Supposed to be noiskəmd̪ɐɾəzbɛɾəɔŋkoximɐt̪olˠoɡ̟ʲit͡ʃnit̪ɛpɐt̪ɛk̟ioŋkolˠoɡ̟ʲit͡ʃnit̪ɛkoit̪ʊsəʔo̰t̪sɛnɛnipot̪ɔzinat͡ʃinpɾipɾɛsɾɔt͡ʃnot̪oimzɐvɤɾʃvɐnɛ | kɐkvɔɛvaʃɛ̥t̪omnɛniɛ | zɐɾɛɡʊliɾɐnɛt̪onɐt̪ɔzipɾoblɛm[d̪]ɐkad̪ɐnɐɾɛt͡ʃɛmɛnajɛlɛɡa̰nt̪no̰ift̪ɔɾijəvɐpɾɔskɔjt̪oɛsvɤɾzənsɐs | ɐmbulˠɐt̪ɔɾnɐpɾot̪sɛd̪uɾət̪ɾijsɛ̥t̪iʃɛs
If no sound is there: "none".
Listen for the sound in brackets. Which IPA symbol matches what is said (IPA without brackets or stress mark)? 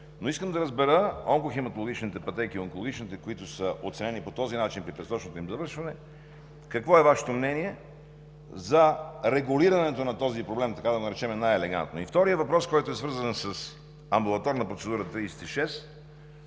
t̪